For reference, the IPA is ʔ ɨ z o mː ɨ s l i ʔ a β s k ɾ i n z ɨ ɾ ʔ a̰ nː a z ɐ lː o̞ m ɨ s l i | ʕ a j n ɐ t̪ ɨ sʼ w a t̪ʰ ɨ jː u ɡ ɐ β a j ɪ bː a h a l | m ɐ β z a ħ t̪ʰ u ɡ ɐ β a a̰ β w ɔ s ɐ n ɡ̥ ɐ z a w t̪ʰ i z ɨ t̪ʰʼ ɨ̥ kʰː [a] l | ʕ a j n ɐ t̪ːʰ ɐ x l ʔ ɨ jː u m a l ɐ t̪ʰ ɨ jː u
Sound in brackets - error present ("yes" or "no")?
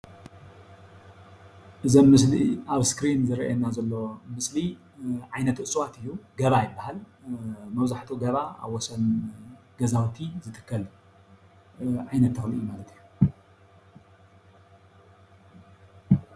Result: yes